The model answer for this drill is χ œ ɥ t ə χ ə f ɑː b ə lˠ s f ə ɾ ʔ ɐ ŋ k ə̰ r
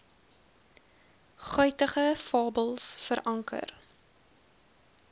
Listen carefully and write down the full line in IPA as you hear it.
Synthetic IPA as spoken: χ œ ɥ t ə χ ə f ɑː b ə lˠ s f ə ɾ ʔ ɐ ŋ k ə̰ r